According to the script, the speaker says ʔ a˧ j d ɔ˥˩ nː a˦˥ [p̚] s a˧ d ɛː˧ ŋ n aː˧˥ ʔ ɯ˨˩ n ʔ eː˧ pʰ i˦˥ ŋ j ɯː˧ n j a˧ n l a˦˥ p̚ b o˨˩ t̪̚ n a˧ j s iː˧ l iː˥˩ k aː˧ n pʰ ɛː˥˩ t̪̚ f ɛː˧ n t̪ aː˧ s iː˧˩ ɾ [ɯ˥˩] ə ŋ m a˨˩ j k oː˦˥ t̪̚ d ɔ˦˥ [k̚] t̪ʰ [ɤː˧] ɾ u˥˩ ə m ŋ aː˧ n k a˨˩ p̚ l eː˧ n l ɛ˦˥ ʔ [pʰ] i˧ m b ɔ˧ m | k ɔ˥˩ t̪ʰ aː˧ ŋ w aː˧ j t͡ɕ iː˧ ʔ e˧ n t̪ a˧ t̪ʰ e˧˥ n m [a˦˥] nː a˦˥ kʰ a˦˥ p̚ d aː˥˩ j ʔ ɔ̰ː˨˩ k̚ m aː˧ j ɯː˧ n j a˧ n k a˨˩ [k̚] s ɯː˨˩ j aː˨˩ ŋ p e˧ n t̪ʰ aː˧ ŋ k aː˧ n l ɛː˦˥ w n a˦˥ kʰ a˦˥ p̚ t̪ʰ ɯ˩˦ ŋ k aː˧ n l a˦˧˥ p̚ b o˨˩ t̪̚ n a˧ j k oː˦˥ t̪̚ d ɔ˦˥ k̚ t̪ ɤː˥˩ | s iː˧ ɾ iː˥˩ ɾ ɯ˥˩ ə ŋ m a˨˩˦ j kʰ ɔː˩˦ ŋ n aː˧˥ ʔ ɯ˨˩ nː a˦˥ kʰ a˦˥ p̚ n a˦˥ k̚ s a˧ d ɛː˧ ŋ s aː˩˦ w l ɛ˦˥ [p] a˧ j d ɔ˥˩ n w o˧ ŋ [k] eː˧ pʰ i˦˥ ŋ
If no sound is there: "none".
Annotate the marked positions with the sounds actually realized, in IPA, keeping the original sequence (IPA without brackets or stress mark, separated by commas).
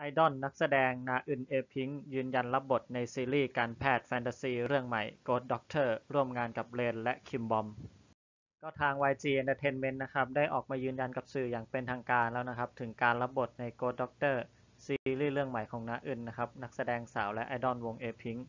k̚, ɯ˥˩, k̚, ɤː˥˩, kʰ, e˦˥, p̚, ʔ, ʔ